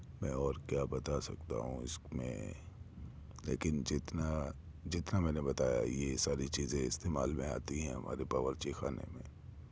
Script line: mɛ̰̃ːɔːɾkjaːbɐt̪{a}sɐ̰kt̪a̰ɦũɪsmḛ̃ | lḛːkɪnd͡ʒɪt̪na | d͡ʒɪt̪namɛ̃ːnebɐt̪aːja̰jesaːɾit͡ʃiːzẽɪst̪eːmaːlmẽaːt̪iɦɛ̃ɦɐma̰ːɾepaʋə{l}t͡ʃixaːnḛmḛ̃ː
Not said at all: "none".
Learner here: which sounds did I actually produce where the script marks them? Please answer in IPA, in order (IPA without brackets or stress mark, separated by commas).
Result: a, ɾ